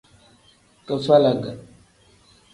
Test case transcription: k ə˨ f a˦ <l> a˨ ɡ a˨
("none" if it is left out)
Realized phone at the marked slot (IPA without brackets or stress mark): l